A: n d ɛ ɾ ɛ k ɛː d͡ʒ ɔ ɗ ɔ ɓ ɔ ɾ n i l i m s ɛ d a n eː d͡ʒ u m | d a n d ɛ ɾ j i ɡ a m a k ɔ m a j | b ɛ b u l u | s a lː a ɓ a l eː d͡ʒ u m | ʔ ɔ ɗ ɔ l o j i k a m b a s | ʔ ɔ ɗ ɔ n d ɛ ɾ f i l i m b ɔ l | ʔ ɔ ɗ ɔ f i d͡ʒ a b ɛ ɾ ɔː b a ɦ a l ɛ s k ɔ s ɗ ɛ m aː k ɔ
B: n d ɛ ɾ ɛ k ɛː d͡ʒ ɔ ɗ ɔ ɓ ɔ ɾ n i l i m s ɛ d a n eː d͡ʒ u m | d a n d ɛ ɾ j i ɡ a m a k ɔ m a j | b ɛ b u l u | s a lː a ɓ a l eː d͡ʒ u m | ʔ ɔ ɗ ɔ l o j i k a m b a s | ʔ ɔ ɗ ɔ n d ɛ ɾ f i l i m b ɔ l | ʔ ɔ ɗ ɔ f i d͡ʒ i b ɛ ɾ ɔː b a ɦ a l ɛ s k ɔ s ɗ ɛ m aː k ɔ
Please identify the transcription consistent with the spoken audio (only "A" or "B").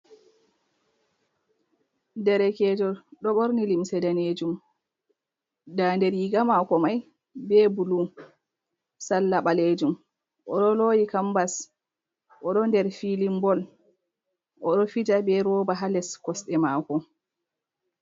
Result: A